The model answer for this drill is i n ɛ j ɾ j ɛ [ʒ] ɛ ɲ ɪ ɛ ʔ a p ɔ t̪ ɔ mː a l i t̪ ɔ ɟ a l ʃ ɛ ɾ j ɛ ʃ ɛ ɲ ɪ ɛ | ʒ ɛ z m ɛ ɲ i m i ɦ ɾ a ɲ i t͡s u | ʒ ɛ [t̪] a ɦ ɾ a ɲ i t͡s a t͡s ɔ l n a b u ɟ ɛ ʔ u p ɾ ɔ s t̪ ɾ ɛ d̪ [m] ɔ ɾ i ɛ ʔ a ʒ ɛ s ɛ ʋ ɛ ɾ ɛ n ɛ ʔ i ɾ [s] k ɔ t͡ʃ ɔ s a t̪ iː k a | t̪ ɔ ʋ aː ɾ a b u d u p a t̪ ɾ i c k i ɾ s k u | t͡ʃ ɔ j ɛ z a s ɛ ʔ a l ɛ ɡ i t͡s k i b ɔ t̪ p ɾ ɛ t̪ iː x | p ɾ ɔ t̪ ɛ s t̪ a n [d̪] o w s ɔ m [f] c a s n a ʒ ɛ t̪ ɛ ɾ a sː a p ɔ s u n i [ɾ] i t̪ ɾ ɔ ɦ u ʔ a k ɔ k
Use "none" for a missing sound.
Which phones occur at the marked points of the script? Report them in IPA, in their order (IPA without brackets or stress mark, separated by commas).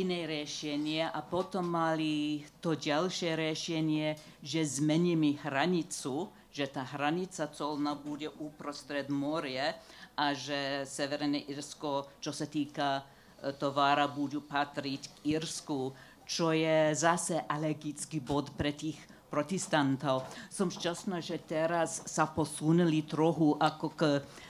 ʃ, t̪, m, s, t̪, ʃ, l